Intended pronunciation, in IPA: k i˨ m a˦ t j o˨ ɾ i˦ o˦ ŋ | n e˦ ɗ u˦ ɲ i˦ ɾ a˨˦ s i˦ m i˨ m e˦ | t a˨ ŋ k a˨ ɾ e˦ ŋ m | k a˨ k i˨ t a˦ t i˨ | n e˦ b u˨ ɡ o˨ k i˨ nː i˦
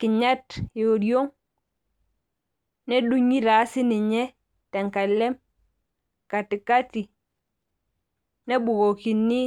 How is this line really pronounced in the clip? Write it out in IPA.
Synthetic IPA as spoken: k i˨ ɲ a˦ t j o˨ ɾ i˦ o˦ ŋ | n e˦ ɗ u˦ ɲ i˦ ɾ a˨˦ s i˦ n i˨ ɲ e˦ | t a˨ ŋ k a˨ l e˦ m | k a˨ t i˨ k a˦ t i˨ | n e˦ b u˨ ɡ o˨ k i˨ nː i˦